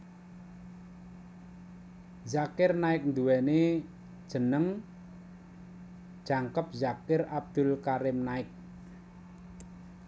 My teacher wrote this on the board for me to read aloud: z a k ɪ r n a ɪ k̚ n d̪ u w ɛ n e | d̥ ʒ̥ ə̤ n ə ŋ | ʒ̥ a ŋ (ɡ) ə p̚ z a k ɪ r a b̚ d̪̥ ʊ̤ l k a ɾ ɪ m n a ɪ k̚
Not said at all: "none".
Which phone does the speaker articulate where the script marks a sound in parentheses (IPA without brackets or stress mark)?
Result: k